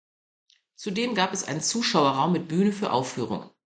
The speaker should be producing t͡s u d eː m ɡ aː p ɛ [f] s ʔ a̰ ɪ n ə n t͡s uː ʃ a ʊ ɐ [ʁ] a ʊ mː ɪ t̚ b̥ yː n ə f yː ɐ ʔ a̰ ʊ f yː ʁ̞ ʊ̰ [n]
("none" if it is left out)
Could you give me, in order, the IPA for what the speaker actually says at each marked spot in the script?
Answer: none, ʁ, ŋ

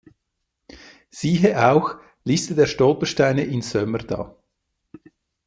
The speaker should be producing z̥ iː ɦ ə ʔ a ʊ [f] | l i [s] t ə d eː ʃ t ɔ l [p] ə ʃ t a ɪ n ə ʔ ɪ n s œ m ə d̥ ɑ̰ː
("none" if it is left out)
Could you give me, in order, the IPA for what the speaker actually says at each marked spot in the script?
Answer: x, s, p

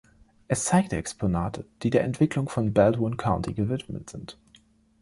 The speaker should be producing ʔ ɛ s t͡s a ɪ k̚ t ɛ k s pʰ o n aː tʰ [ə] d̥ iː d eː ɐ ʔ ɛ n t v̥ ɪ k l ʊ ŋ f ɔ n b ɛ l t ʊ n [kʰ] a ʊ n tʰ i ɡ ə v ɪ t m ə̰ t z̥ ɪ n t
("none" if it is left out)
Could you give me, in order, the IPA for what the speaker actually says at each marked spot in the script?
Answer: ə, kʰ

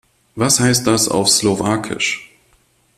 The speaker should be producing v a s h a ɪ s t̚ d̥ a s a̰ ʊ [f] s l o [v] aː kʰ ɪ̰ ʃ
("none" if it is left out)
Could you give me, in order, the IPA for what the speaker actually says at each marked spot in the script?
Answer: f, v

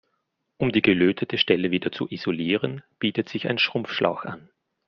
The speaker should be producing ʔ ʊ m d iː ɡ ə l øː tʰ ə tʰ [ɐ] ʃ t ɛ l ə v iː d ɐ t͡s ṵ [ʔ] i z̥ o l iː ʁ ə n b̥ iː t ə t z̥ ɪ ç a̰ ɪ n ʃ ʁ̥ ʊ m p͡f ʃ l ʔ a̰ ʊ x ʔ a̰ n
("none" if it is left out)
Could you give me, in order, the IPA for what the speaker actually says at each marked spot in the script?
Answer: ə, ʔ

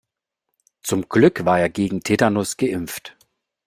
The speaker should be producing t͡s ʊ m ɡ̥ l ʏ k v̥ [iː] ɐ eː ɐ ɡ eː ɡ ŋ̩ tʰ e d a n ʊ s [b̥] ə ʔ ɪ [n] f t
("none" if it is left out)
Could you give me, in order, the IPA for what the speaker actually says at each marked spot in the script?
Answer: aː, ɡ̥, m

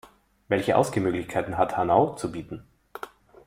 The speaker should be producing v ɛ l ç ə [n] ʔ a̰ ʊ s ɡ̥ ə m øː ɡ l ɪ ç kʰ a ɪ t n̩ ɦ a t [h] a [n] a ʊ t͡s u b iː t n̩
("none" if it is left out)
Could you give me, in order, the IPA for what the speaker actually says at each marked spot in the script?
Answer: none, h, n

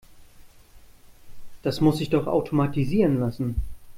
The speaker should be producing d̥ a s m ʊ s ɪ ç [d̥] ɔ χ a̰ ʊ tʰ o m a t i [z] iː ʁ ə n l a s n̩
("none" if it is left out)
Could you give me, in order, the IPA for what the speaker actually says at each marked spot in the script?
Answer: d̥, z

